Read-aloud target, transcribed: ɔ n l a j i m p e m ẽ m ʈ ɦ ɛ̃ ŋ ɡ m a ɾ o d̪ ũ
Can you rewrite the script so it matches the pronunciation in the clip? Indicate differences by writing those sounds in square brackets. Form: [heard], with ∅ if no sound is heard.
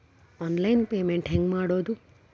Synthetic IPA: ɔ n l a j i [n] p e m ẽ [ɳ] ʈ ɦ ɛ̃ ŋ ɡ m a [ɽ] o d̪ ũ